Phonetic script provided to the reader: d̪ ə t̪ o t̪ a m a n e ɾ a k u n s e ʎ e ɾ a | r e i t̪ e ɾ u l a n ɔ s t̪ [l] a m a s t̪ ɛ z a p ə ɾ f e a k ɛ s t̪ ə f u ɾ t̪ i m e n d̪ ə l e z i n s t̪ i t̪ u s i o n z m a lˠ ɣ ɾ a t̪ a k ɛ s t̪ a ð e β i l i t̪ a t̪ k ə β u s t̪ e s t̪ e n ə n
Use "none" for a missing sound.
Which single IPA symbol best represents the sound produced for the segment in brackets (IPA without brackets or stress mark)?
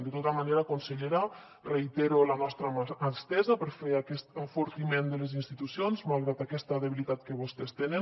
ɾ